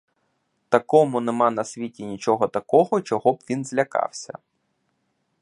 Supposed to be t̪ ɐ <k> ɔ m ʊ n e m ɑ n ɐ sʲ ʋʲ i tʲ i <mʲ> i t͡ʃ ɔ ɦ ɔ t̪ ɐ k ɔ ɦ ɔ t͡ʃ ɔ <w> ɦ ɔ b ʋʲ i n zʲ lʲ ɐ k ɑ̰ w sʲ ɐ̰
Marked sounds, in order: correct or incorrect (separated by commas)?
correct, incorrect, incorrect